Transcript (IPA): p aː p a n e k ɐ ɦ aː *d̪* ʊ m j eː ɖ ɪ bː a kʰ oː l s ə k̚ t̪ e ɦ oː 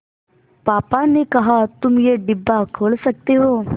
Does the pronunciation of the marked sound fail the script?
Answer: yes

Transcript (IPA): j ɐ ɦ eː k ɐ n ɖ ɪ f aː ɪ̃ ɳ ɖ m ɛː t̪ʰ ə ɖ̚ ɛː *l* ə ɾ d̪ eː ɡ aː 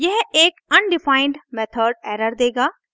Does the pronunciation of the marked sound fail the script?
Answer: yes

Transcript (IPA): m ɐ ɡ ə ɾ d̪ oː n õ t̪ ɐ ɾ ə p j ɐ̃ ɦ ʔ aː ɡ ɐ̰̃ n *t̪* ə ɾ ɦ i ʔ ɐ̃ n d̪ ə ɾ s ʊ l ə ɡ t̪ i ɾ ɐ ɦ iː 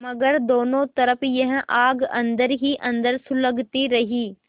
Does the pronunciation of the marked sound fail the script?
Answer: yes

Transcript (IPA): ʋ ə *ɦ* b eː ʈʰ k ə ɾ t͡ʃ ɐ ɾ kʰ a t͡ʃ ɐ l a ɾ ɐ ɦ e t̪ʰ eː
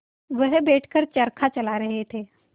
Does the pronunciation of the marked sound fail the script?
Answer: no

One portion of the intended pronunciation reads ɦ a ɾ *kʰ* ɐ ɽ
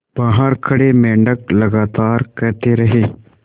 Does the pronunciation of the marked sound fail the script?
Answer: no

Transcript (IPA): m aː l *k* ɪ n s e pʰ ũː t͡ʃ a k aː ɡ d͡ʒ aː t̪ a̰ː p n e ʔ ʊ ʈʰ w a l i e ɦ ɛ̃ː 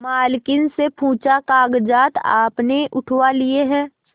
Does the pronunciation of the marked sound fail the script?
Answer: no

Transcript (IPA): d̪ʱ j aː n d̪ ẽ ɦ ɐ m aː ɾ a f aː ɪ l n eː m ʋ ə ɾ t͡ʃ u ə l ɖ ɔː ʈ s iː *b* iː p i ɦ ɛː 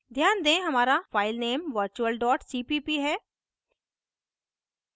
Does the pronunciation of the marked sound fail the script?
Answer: yes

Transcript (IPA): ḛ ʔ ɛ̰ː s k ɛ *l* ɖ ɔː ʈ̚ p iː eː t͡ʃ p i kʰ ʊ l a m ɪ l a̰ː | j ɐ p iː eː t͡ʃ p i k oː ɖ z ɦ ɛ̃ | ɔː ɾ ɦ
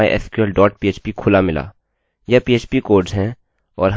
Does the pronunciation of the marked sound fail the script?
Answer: no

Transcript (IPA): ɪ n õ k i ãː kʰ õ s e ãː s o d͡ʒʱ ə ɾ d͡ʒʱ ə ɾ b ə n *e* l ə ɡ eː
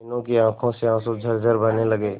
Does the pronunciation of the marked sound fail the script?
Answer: no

